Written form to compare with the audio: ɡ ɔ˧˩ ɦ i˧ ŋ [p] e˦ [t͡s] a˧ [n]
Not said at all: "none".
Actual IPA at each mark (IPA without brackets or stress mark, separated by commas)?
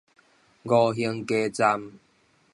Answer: k, t͡s, m